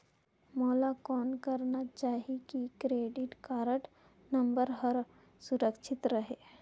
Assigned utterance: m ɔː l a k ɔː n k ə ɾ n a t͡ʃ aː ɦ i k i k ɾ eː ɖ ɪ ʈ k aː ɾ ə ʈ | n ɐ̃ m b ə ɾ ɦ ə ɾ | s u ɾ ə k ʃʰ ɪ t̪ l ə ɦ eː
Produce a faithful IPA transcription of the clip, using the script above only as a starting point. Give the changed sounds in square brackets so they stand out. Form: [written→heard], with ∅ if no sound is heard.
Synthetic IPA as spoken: m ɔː l a k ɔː n k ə ɾ n a t͡ʃ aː ɦ i k i k ɾ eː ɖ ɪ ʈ k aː ɾ ə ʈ | n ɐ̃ m b ə ɾ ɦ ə ɾ | s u ɾ ə k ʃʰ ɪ t̪ [l→ɾ] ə ɦ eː